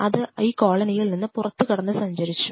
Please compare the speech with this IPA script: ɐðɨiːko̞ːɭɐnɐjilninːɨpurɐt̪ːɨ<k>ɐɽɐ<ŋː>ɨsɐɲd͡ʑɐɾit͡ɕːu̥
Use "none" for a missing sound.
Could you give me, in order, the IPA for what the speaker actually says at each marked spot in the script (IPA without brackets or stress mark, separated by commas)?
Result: k, nː